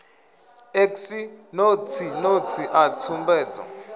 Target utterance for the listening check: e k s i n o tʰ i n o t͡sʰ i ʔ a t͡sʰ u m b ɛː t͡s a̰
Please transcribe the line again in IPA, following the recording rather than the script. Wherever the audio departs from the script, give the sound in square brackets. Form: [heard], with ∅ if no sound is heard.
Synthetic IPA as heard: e k s i n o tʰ i n o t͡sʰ i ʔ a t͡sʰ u m b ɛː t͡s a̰